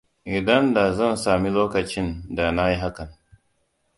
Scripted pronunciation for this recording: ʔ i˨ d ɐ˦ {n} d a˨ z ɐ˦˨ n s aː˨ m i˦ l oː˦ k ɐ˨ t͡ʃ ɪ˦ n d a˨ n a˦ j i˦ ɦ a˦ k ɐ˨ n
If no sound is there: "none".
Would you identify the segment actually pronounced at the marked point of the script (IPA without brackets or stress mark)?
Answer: n